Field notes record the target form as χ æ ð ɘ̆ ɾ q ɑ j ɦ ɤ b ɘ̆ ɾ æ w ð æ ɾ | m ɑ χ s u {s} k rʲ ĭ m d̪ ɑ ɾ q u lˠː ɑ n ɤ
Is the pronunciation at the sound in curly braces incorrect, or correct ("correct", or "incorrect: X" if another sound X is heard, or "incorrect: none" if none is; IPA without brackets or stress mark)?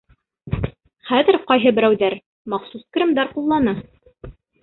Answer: correct